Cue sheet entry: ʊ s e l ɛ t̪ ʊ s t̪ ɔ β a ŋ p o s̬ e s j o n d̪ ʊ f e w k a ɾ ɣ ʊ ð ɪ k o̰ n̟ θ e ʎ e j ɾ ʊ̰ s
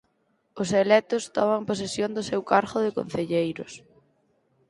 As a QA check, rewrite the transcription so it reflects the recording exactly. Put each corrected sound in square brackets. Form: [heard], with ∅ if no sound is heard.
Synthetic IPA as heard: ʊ s e l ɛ t̪ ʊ s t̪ ɔ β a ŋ p o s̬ e s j o n d̪ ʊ [s] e w k a ɾ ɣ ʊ ð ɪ k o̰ n̟ θ e ʎ e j ɾ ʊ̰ s